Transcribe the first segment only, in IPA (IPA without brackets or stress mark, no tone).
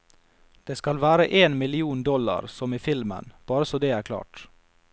d̪̥